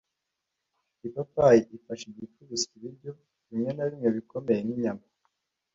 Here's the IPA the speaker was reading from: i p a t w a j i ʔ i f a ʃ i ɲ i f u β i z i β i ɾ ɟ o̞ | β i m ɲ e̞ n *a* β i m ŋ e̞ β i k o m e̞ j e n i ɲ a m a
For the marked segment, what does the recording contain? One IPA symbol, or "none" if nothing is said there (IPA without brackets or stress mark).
a